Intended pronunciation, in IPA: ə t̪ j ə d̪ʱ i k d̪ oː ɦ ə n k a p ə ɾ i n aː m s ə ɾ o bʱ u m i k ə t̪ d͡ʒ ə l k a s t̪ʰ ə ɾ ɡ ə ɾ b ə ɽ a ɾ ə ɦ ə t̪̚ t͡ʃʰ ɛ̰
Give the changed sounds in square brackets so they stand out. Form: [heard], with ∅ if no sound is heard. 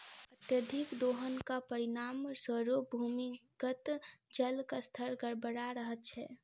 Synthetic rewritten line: ə t̪ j ə d̪ʱ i k d̪ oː ɦ ə n k a p ə ɾ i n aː m s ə ɾ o bʱ u m i k ə t̪ d͡ʒ ə l k a s t̪ʰ ə ɾ ɡ ə ɾ b ə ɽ a ɾ ə ɦ ə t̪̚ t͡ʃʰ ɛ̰